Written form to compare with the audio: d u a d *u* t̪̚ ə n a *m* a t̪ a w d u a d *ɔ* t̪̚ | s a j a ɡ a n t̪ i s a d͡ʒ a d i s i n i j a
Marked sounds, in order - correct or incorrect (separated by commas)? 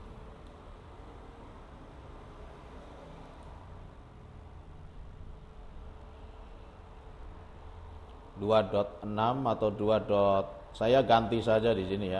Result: incorrect, correct, correct